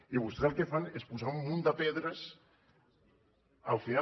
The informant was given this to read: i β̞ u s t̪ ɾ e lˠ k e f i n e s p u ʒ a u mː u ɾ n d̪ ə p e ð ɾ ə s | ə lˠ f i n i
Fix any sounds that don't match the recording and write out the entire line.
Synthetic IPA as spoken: i β̞ u s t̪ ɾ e lˠ k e f a n e s p u z a u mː u n d̪ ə p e ð ɾ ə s | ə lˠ f i n a